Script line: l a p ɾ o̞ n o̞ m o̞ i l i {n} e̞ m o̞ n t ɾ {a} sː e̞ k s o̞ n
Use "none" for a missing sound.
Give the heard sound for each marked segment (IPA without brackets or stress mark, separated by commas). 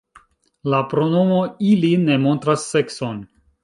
n, a